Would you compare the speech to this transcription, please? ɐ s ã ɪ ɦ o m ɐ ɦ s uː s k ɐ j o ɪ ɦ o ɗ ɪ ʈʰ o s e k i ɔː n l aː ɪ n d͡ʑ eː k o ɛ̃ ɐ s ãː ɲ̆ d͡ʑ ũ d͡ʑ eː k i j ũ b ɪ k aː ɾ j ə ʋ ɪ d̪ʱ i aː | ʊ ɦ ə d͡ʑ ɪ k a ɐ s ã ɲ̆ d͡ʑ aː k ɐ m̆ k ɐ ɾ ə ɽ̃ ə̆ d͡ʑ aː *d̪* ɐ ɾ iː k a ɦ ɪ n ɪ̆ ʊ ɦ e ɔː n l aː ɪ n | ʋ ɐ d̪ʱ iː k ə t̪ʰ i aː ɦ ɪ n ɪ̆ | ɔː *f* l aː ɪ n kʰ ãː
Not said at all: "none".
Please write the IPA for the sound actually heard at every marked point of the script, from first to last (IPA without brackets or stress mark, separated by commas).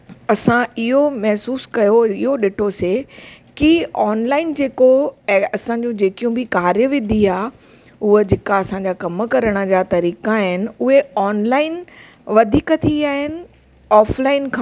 t̪, f